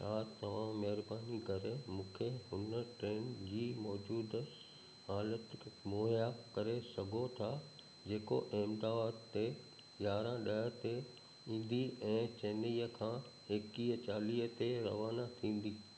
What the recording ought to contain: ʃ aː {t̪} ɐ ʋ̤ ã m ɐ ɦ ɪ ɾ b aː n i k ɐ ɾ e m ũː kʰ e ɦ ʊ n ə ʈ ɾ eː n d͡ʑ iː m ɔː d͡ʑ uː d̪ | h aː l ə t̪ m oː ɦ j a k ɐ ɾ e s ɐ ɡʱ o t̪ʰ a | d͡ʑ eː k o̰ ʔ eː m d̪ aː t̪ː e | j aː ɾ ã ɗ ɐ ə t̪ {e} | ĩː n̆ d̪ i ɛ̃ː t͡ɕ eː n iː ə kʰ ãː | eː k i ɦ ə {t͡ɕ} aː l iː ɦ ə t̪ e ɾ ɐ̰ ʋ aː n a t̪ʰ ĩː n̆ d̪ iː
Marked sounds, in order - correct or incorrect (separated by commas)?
correct, correct, correct